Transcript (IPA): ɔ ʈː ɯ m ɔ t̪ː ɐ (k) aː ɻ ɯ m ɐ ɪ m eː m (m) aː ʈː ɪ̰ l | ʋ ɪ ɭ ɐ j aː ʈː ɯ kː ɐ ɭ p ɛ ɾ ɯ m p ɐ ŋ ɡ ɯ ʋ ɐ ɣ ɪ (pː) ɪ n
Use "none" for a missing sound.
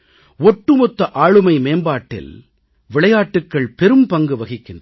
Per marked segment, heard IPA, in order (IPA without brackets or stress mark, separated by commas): ʔ, b, kː